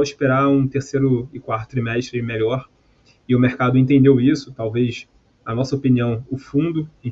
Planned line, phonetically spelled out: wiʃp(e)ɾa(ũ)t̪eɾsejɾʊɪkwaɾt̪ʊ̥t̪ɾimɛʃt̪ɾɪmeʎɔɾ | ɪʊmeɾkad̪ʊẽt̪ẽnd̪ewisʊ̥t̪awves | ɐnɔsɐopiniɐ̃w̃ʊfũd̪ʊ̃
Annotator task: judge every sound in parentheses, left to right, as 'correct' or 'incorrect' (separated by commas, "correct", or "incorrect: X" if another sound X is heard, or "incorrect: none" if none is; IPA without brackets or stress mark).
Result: correct, correct